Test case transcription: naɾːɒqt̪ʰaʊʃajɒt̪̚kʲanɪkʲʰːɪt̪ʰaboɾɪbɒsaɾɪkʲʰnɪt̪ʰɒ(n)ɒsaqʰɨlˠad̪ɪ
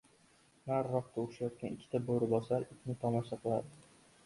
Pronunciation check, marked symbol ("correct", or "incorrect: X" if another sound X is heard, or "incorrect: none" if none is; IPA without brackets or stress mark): incorrect: m